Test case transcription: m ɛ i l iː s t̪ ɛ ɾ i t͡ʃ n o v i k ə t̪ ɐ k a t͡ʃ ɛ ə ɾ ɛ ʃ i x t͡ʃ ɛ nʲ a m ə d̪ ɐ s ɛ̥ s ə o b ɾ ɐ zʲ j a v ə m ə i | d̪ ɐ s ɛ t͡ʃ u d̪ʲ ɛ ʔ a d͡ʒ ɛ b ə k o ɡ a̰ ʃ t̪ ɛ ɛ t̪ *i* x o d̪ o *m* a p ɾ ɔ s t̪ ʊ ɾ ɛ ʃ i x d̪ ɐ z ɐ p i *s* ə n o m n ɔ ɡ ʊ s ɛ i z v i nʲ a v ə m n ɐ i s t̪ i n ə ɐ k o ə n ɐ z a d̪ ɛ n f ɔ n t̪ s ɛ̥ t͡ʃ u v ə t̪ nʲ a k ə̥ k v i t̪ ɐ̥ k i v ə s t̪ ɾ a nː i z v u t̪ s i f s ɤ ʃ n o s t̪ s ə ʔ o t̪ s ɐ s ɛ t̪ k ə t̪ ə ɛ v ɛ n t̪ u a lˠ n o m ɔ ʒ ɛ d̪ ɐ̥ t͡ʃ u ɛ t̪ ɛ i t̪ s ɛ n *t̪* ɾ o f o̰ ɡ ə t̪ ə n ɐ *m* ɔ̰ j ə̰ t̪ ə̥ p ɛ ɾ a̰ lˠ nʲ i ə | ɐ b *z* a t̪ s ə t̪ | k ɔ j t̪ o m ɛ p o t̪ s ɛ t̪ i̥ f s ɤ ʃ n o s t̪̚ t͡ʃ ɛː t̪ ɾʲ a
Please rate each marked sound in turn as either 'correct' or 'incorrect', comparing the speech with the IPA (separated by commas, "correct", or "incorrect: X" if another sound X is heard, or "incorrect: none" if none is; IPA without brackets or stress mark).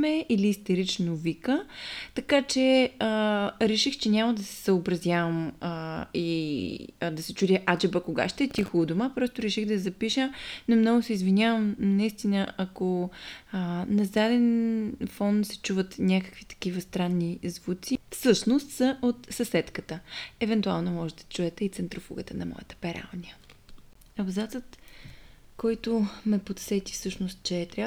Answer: correct, correct, incorrect: ʃ, correct, correct, correct